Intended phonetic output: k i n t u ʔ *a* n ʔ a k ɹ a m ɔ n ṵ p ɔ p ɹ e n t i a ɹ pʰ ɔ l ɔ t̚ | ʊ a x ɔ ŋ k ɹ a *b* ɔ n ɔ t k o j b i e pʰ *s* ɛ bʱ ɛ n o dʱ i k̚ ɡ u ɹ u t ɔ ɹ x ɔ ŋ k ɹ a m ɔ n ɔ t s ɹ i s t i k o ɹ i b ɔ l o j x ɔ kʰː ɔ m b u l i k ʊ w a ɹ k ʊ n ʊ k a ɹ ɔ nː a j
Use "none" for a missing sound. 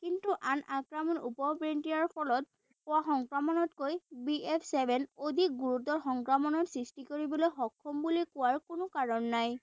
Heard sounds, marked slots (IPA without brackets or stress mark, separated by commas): a, m, s